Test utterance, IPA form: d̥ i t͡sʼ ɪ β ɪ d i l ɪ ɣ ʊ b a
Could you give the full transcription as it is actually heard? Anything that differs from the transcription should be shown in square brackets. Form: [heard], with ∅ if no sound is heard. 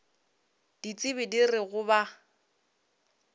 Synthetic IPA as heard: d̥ i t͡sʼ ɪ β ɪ d i [r] ɪ ɣ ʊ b a